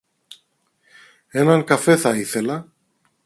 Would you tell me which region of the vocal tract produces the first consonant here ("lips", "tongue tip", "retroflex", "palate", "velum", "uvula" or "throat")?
tongue tip